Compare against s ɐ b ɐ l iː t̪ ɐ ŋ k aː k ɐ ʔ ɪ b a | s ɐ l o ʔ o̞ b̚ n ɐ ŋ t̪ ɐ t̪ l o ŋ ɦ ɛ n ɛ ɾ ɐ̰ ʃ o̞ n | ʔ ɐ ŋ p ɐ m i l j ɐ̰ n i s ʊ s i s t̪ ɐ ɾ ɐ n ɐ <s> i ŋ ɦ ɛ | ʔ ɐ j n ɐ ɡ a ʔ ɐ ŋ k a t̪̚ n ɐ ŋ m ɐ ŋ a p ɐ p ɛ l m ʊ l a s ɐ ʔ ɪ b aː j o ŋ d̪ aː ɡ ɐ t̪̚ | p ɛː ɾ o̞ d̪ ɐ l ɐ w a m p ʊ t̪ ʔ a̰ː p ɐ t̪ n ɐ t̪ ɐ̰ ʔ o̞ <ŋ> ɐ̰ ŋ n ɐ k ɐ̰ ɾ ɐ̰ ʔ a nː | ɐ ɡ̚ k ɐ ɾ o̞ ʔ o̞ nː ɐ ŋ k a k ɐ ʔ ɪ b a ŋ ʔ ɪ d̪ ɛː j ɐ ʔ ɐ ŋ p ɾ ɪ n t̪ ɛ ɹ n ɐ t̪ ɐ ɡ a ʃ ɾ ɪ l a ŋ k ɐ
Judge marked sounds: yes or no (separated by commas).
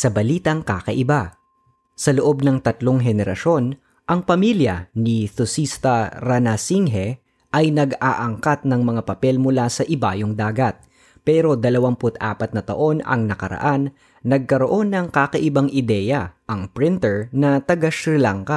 yes, no